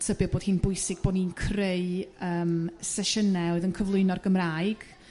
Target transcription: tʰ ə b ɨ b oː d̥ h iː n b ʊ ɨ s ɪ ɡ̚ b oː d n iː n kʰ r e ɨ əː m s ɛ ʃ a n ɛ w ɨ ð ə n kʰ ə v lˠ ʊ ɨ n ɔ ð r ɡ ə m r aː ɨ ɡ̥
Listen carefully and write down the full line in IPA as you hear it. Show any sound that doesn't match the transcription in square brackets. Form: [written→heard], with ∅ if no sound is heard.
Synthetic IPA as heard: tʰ ə b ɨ b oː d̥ h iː n b ʊ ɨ s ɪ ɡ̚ b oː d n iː n kʰ r e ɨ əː m s ɛ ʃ [a→ə] n ɛ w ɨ ð ə n kʰ ə v lˠ ʊ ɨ n ɔ [ð→∅] r ɡ ə m r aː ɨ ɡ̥